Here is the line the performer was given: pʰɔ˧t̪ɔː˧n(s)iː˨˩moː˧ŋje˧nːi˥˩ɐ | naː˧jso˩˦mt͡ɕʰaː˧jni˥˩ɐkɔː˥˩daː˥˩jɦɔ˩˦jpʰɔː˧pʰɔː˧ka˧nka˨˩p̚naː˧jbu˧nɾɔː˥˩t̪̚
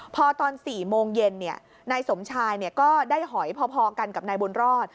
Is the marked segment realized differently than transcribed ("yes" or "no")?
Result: no